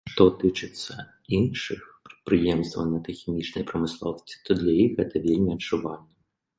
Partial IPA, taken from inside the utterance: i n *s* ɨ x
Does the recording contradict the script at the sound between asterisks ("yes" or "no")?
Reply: yes